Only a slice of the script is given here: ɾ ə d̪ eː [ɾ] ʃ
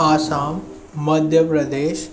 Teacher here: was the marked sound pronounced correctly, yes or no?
no